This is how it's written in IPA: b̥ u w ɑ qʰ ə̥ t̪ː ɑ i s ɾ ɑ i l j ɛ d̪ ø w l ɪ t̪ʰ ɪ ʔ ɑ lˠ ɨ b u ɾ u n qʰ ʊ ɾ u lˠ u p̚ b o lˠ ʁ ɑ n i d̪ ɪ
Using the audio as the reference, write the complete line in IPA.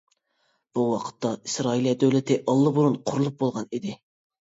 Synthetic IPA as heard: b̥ u w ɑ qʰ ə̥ t̪ː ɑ i s ɾ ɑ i l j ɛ d̪ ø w l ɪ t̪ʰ ɪ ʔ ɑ lˠː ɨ b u ɾ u n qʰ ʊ ɾ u lˠ u p̚ b o lˠ ʁ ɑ n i d̪ ɪ